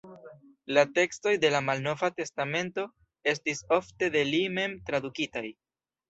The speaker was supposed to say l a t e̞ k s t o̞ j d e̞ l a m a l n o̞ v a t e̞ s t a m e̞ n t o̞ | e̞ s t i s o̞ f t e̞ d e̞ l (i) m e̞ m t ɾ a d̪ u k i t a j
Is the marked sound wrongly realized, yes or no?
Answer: no